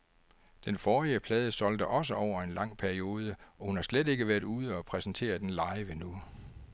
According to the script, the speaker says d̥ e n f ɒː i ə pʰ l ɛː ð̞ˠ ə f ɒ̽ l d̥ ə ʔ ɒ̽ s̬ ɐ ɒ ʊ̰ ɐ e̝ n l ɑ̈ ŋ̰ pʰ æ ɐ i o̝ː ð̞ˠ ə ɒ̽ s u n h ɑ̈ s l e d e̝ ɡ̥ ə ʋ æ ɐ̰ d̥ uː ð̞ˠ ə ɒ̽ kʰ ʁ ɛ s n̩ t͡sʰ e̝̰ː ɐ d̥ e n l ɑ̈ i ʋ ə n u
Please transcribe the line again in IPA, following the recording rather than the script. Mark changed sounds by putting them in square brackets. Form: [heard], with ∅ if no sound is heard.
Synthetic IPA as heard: d̥ e n f ɒː i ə pʰ l ɛː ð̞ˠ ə [s] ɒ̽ l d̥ ə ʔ ɒ̽ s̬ [ə] ɒ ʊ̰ ɐ e̝ n l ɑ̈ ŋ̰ pʰ æ ɐ i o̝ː ð̞ˠ ə ɒ̽ [h] u n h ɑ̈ s l e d e̝ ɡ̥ ə ʋ æ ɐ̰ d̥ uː ð̞ˠ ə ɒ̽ [pʰ] ʁ ɛ s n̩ t͡sʰ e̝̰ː ɐ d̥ e n l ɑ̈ [ɪ] ʋ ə n u